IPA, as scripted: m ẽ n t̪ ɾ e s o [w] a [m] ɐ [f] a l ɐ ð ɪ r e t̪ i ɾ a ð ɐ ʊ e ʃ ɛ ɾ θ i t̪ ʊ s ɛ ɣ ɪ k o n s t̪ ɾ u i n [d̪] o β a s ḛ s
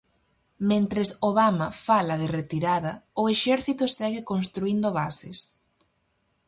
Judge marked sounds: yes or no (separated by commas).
no, yes, yes, yes